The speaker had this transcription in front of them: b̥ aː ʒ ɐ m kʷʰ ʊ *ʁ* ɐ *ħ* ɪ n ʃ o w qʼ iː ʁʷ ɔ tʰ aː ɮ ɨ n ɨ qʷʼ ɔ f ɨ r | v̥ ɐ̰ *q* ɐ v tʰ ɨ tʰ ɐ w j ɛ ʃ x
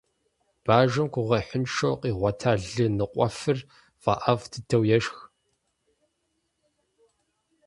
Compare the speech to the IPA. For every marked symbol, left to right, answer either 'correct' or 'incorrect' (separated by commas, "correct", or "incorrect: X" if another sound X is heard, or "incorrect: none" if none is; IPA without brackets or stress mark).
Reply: correct, correct, incorrect: ʔ